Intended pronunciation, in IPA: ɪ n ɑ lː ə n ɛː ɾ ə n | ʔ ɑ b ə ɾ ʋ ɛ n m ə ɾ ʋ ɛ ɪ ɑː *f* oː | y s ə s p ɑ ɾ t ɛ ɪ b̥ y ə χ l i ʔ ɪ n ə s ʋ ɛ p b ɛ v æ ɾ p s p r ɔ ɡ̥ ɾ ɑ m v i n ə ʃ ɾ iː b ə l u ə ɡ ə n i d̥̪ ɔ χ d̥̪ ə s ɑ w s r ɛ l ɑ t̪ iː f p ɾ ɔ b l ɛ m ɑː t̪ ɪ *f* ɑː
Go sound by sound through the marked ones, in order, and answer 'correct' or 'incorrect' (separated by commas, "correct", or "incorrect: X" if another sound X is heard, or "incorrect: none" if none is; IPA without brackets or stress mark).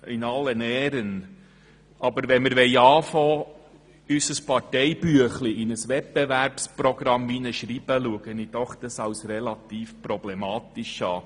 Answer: correct, incorrect: ʃ